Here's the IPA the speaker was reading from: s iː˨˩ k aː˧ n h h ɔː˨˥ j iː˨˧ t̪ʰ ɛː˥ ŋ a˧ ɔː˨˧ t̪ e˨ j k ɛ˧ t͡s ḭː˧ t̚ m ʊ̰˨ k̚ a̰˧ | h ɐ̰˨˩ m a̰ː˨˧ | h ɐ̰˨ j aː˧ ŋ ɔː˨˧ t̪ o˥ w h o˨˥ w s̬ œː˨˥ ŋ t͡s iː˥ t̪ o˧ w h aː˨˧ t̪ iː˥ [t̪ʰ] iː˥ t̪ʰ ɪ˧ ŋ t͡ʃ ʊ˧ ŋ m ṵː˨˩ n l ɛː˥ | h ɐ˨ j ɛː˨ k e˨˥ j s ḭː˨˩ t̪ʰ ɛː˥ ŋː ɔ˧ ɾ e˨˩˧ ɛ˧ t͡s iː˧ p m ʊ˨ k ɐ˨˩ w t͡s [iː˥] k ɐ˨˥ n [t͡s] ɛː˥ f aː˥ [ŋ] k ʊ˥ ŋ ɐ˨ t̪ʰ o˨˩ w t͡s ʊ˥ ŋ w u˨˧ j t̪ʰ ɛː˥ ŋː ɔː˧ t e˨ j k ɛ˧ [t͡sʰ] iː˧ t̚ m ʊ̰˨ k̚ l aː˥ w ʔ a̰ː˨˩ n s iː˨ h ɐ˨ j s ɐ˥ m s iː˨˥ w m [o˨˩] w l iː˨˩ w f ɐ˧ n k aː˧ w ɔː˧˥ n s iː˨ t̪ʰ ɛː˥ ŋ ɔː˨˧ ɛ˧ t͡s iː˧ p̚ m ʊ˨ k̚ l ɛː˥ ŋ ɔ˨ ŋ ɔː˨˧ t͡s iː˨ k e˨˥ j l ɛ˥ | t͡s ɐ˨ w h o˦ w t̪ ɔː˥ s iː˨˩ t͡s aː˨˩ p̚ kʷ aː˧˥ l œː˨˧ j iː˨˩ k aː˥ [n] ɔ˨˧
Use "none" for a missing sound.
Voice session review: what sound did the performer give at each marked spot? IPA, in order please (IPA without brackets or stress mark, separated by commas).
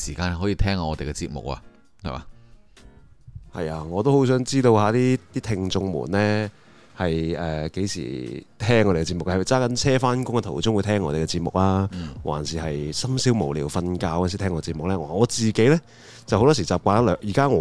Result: t̪, aː˥, t͡sʰ, n, t͡s, o˨˩, ŋ